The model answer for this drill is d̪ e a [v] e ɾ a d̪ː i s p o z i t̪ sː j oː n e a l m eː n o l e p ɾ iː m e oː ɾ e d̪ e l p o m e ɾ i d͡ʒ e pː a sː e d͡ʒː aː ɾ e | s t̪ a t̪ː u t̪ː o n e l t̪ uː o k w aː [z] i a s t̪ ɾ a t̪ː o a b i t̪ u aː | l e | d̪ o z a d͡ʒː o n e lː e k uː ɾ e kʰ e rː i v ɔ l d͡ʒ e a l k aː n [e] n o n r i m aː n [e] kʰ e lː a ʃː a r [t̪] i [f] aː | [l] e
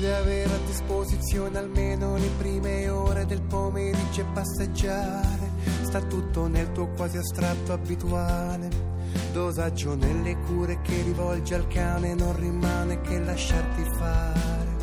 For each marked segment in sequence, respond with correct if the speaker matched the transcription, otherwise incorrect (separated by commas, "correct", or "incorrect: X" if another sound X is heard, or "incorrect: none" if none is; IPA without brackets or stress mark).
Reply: correct, correct, correct, correct, correct, correct, incorrect: ɾ